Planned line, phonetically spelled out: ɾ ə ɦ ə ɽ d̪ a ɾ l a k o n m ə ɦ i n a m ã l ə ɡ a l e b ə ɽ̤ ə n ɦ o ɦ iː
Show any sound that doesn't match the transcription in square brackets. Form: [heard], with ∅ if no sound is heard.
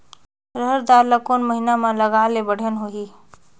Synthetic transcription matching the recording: ɾ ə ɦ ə [ɾ] d̪ a ɾ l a k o n m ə ɦ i n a m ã l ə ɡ a l e b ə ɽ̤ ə n ɦ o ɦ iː